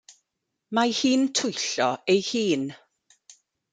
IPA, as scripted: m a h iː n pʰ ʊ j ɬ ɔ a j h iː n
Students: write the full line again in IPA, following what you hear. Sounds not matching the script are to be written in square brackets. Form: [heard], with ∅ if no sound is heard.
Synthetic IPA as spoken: m a h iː n [tʰ] ʊ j ɬ ɔ [e] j h iː n